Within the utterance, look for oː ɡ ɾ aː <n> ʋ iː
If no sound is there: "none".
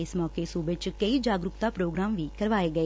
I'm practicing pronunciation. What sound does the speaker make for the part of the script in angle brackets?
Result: m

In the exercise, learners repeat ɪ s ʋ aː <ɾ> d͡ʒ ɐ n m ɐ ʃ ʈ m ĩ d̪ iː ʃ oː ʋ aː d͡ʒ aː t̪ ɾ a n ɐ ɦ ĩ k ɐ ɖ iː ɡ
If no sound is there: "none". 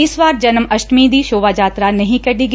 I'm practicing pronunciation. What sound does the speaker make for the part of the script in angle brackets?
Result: ɾ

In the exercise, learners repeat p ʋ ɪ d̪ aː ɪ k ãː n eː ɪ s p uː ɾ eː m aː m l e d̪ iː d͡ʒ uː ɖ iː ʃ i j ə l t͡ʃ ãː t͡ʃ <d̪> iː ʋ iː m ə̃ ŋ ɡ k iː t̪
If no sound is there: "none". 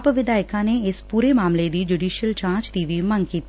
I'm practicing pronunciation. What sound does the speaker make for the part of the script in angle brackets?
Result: d̪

